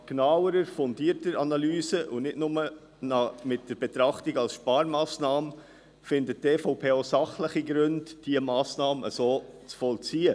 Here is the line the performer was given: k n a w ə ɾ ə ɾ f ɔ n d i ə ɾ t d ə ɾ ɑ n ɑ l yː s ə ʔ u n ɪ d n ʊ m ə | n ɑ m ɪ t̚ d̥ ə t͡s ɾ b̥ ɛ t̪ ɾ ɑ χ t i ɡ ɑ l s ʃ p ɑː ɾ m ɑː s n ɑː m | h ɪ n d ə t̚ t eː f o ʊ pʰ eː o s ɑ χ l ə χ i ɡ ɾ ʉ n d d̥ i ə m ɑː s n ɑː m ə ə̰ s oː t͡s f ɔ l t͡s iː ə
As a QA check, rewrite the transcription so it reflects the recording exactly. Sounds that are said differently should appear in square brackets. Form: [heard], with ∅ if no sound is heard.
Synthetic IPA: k n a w ə ɾ ə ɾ f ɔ n d i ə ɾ t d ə ɾ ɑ n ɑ l yː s ə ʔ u n ɪ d n ʊ m ə | n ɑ m ɪ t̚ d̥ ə [∅] ɾ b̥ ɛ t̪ ɾ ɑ χ t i ɡ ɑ l s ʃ p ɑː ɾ m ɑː s n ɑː m | [f] ɪ n d ə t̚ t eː f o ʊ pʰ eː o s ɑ χ l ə χ i ɡ ɾ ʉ n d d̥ i ə m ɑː s n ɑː m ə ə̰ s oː t͡s f ɔ l t͡s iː ə